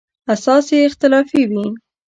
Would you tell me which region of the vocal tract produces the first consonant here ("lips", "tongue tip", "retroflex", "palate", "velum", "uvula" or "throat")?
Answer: tongue tip